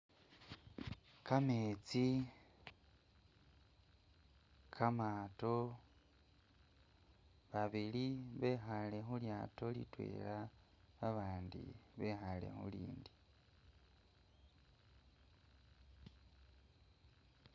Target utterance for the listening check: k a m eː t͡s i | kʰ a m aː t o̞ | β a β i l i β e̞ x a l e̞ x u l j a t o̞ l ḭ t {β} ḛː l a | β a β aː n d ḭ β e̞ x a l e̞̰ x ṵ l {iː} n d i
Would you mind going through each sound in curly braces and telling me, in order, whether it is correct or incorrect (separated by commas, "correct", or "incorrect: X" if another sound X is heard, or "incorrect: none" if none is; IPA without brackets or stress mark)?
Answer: incorrect: w, correct